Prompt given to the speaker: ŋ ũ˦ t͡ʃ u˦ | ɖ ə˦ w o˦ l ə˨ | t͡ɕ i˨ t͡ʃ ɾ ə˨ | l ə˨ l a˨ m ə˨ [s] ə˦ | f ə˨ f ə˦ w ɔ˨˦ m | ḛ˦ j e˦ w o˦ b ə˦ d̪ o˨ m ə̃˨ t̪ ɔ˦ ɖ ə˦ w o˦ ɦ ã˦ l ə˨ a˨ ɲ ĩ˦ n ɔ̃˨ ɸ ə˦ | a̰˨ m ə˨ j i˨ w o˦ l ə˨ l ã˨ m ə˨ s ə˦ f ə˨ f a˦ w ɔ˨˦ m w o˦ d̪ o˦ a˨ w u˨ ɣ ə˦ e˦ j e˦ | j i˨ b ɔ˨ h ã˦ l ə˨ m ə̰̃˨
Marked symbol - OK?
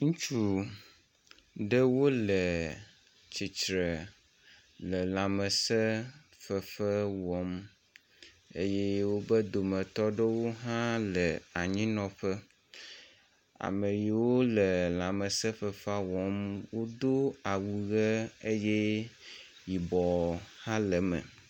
yes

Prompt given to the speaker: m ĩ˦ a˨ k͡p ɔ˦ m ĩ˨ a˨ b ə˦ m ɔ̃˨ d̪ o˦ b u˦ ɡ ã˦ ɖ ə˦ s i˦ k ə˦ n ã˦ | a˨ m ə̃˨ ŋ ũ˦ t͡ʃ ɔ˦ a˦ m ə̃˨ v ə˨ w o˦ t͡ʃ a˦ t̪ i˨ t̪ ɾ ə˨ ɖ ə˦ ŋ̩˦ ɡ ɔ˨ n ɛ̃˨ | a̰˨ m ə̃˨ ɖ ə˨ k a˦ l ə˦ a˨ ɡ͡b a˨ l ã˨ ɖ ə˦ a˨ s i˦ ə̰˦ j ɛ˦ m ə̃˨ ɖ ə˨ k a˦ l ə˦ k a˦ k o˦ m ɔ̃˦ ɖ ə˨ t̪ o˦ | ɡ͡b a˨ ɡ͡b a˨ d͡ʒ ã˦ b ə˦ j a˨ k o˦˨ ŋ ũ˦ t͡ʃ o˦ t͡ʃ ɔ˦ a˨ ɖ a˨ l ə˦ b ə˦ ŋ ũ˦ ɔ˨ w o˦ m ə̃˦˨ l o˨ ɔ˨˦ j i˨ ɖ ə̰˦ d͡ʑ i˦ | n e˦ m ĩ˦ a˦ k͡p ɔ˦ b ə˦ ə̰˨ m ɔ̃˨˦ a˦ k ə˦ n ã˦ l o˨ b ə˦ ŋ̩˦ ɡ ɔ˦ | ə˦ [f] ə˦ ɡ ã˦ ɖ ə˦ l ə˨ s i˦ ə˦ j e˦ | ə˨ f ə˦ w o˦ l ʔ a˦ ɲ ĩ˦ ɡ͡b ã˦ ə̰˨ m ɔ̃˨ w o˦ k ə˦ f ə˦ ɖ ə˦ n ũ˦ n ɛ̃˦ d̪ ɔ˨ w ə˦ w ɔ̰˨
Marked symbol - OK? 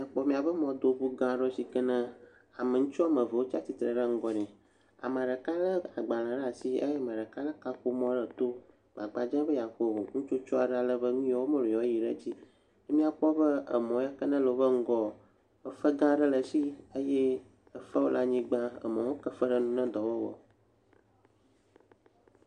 yes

